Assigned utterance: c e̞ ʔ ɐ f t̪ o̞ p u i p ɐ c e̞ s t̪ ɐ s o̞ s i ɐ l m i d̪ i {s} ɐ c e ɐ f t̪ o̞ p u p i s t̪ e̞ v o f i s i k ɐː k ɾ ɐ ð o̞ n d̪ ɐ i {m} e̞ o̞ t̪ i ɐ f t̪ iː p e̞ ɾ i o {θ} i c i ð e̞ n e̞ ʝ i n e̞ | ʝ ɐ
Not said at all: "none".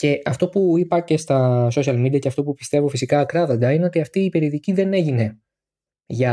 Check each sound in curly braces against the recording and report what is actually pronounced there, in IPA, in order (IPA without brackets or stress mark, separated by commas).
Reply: none, n, ð